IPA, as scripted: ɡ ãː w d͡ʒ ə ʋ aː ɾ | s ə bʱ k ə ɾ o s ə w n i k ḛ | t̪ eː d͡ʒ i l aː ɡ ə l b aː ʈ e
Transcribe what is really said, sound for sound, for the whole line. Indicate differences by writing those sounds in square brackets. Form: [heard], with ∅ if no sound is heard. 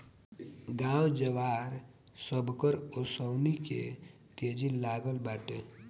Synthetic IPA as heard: ɡ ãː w d͡ʒ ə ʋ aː ɾ | s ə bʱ k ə ɾ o s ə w n i k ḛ | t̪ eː d͡ʒ i l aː ɡ ə l b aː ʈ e